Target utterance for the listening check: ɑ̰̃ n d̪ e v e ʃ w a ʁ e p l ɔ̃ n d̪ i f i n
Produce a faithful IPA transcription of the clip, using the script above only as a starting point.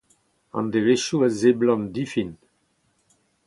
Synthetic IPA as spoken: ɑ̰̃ n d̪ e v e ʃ u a z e b l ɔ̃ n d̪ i f i n

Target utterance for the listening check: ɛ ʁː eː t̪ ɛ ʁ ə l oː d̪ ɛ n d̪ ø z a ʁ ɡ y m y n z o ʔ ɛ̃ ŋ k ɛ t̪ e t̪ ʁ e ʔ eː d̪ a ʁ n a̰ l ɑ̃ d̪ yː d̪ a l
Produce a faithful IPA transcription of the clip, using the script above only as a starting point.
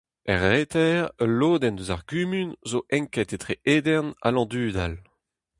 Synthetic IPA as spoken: ɛ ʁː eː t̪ ɛ ʁ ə l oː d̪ ɛ n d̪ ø z a ʁ ɡ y m y n z o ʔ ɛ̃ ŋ k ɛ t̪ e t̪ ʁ e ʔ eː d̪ ɛ ʁ n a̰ l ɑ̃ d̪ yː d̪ a l

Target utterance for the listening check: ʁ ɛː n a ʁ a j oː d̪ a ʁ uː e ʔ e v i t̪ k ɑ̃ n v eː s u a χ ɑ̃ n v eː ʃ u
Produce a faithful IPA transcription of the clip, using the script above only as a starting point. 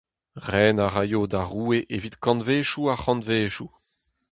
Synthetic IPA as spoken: ʁ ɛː n a ʁ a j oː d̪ a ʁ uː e ʔ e v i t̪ k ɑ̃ n v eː ʃ u a χ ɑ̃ n v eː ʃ u

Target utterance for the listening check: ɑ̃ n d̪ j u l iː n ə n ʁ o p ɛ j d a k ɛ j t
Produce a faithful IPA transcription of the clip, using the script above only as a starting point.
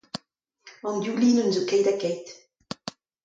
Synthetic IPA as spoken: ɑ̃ n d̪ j u l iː n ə n z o k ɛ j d a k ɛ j t

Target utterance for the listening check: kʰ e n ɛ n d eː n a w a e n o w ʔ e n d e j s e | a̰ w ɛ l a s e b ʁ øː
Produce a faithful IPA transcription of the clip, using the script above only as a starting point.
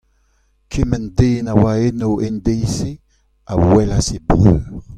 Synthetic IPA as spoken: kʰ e m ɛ n d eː n a w a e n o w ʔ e n d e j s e | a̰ w ɛ l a s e b ʁ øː

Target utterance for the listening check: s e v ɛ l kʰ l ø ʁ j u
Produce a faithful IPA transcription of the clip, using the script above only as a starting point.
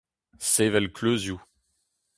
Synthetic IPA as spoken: s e v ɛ l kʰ l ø z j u

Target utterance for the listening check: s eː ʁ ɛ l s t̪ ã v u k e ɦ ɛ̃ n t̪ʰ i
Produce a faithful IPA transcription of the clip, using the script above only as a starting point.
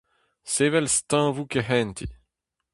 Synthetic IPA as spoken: s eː v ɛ l s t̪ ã v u k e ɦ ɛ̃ n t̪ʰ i

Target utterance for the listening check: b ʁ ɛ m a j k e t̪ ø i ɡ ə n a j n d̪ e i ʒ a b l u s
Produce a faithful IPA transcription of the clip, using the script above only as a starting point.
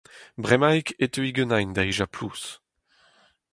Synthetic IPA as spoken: b ʁ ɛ m a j k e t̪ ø i ɡ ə n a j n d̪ a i ʒ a p l u s

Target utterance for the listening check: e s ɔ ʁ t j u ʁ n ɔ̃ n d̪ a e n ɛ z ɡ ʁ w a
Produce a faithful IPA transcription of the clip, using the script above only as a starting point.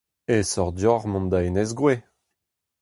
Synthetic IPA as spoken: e s ɔ ʁ d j ɔ ʁ m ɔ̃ n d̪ a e n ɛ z ɡ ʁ w e

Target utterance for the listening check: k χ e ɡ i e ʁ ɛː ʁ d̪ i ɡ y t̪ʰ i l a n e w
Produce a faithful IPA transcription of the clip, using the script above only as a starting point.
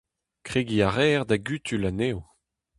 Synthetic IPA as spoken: k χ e ɡ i a ʁ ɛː ʁ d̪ a ɡ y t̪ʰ y l a n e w

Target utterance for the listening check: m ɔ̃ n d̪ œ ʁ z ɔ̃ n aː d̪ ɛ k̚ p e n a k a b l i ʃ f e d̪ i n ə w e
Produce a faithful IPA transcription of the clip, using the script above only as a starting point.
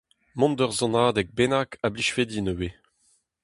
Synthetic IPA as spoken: m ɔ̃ n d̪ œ ʁ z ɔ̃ n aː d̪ ɛ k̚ b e n a k a b l i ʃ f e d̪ i n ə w e

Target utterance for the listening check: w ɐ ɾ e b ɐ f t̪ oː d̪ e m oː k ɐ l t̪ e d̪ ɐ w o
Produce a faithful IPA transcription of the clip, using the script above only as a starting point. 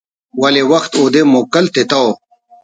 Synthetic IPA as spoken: w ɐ l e w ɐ x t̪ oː d̪ e m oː k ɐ l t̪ e t̪ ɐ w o

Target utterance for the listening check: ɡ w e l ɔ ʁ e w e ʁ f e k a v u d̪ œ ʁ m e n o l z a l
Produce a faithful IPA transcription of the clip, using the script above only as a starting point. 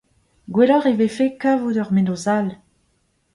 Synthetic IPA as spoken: ɡ w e l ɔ ʁ e v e f e k a v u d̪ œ ʁ m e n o z a l

